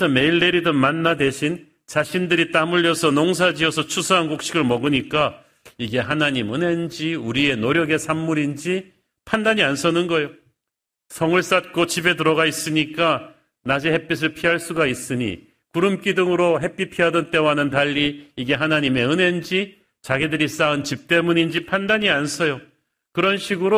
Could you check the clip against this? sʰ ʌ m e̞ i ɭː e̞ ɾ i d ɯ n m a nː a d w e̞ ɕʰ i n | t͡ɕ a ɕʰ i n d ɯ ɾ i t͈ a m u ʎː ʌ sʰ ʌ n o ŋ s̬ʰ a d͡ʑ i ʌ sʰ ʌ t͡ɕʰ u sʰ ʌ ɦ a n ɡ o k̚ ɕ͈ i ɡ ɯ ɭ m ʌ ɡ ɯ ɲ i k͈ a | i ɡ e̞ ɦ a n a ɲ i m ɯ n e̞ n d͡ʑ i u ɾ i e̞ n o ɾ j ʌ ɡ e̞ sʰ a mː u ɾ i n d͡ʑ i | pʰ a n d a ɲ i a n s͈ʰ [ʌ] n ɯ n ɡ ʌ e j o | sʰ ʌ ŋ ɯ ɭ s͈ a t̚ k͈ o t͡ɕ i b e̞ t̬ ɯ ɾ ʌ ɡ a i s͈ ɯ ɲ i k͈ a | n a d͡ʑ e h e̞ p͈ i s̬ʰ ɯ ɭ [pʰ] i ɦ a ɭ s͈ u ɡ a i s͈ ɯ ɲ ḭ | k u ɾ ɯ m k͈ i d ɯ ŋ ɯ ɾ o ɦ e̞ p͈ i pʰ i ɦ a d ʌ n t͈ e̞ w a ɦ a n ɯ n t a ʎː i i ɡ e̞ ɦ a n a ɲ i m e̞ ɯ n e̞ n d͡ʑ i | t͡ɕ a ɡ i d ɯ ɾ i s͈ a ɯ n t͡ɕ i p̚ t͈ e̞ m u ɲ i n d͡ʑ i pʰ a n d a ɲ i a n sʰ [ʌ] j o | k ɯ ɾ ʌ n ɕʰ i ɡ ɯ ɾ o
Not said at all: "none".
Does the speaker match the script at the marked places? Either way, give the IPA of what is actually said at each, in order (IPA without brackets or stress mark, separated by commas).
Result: ʌ, pʰ, ʌ